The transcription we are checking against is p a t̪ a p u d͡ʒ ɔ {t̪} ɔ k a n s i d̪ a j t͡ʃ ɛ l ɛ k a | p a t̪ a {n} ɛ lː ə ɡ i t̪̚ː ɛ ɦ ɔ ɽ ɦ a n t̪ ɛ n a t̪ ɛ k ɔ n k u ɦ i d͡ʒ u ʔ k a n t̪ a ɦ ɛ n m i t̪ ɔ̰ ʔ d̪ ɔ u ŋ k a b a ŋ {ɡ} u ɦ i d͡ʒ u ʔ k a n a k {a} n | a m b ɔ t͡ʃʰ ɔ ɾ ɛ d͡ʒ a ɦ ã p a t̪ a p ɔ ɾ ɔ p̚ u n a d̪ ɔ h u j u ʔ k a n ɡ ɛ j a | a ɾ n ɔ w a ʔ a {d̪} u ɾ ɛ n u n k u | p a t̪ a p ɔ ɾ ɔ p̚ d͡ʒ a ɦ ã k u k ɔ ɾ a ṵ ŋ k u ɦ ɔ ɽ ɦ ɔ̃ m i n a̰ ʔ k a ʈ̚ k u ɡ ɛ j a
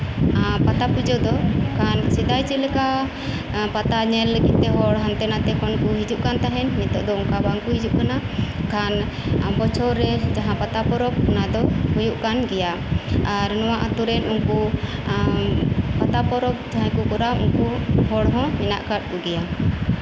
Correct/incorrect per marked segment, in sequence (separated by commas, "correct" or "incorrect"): incorrect, incorrect, incorrect, correct, incorrect